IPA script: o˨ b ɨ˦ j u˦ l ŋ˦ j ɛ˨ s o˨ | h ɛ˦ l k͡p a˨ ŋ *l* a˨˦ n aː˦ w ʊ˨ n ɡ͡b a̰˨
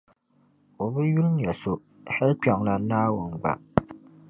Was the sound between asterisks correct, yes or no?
yes